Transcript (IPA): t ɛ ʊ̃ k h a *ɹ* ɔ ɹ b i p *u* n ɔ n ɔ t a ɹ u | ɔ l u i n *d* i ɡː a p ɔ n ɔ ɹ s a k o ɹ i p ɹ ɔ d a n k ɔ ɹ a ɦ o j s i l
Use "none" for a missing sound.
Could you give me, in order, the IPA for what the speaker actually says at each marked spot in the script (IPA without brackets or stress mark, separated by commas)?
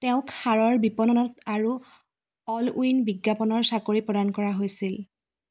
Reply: ɹ, ɔ, b